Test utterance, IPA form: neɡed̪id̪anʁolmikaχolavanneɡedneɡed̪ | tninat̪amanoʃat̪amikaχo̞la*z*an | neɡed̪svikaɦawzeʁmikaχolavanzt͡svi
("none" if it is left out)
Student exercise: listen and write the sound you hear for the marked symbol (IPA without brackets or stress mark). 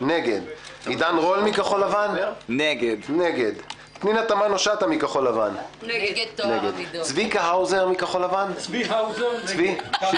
v